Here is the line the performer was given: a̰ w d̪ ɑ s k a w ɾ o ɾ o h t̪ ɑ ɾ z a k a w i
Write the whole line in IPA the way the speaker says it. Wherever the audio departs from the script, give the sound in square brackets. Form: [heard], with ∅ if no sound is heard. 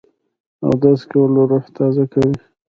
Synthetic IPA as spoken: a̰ w d̪ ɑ s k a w [l] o ɾ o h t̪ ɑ [∅] z a k a w i